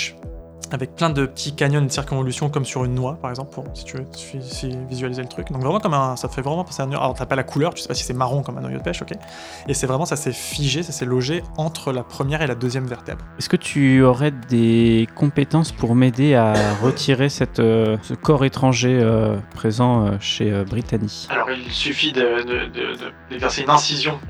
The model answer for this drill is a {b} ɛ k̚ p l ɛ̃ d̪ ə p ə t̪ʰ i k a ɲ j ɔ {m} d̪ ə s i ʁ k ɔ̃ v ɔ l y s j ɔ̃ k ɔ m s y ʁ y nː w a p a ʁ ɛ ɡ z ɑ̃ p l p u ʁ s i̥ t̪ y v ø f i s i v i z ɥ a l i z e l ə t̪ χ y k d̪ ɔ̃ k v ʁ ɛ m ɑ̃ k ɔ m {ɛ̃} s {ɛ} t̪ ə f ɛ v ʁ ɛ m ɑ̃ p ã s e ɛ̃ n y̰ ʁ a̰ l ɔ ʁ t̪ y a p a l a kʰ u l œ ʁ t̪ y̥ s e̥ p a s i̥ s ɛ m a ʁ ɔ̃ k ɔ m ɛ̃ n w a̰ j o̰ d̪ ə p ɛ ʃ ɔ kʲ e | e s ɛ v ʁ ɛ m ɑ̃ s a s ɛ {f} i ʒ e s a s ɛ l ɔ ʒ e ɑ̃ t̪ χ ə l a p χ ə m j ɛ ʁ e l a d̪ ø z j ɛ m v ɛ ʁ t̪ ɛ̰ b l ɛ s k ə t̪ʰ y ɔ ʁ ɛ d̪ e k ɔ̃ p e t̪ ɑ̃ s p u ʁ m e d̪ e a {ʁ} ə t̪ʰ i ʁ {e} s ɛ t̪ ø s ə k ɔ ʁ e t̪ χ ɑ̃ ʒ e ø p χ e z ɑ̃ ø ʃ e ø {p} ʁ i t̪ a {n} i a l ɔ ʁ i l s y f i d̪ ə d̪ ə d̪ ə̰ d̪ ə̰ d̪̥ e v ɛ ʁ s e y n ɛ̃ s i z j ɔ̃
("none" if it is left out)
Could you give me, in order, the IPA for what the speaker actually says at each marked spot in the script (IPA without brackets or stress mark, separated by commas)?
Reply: v, n, ɛ̃, a, f, ʁ, e, b, n